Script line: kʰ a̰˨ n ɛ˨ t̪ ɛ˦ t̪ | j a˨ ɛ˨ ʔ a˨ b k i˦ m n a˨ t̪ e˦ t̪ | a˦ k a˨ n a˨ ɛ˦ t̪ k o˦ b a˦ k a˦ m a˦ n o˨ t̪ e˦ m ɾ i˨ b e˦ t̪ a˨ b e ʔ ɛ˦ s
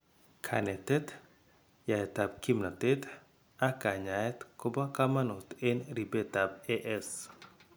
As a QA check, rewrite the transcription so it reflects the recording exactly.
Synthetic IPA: kʰ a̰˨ n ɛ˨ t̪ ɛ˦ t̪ | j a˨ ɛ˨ t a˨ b k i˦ m n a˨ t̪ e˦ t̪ | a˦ k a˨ ɲ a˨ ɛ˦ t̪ k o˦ b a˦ k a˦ m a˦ n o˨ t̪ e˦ n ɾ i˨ b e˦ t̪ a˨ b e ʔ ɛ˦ s